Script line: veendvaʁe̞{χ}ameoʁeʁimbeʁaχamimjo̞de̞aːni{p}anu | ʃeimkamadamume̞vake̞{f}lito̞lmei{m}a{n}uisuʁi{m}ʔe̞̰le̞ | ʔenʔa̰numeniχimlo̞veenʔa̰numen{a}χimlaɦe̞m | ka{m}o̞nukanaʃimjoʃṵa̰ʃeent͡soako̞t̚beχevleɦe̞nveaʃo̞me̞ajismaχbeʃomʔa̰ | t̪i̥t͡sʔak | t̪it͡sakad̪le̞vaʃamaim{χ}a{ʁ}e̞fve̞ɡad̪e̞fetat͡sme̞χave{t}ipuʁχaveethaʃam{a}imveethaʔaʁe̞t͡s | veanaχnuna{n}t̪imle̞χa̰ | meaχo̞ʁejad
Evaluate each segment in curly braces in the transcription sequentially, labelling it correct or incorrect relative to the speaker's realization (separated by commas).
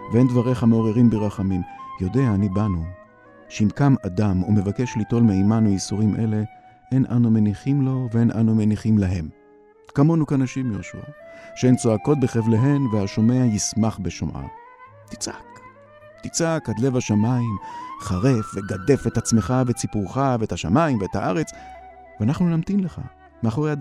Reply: correct, incorrect, incorrect, correct, correct, correct, incorrect, correct, correct, correct, incorrect, correct, incorrect